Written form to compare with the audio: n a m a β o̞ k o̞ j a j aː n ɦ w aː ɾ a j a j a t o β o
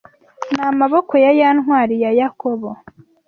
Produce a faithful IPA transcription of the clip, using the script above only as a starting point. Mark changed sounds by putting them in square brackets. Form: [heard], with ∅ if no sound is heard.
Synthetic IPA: n a m a β o̞ k o̞ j a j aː n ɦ w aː ɾ [i] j a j a [k] o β o